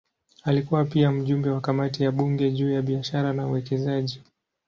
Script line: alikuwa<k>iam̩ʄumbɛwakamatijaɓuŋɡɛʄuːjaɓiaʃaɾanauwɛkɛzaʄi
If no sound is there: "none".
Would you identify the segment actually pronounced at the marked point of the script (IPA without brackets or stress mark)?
p